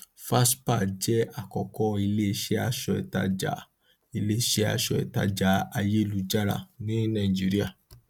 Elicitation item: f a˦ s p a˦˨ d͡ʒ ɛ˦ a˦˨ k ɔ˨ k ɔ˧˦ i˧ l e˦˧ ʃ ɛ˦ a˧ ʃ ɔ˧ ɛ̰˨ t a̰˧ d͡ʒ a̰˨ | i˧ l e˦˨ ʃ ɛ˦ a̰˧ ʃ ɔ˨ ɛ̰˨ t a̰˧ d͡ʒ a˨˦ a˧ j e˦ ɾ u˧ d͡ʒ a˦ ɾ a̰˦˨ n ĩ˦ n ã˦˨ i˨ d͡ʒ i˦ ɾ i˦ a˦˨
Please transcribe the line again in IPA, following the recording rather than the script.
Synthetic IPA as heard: f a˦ s p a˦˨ d͡ʒ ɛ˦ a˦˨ k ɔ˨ k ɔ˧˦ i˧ l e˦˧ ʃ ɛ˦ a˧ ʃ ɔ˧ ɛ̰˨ t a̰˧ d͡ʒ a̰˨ | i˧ l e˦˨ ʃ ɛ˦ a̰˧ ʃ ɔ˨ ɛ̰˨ t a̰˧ d͡ʒ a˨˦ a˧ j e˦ l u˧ d͡ʒ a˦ ɾ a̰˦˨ n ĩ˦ n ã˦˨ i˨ d͡ʒ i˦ ɾ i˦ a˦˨